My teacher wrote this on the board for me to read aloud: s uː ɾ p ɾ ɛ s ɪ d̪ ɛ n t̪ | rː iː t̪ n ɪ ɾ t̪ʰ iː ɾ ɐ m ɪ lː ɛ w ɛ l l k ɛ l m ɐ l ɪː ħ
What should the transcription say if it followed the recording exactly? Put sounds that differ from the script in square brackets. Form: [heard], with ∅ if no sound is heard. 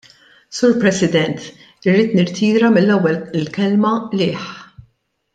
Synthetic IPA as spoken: s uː ɾ p ɾ ɛ s ɪ d̪ ɛ n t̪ | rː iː t̪ n ɪ ɾ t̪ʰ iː ɾ ɐ m ɪ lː ɛ [wː] ɛ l l k ɛ l m ɐ l ɪː ħ